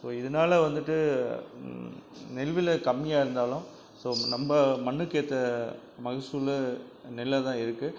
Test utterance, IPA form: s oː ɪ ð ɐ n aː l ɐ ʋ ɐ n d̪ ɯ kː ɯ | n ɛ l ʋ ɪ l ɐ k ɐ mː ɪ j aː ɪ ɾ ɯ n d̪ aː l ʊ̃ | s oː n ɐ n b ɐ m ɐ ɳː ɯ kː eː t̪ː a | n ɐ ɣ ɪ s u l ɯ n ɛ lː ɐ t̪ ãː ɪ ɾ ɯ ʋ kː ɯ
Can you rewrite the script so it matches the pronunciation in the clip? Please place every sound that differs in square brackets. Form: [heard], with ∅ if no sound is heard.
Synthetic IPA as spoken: s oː ɪ ð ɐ n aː l ɐ ʋ ɐ n d̪ ɯ [ʈː] ɯ | n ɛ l ʋ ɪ l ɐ k ɐ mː ɪ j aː ɪ ɾ ɯ n d̪ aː l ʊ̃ | s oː n ɐ [m] b ɐ m ɐ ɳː ɯ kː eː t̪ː [ɐ] | [m] ɐ ɣ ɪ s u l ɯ n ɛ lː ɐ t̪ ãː ɪ ɾ ɯ [∅] kː ɯ